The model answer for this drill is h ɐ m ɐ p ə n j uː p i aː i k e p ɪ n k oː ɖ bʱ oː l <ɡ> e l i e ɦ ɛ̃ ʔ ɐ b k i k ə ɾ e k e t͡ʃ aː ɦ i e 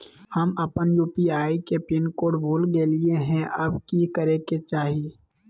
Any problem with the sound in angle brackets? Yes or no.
no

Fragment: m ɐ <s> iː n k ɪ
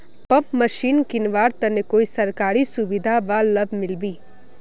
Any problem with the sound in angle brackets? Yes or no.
yes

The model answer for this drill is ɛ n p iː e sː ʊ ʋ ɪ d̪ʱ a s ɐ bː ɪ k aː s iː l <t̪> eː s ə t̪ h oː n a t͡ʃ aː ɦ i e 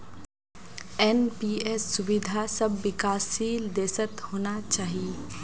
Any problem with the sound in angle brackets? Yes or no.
yes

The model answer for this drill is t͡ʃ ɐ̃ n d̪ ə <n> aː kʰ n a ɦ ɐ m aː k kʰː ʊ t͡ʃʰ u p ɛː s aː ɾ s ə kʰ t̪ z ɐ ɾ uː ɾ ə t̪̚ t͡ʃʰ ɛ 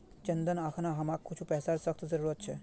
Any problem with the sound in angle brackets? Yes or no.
no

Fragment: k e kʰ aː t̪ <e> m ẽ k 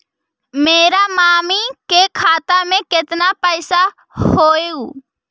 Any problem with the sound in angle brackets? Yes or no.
yes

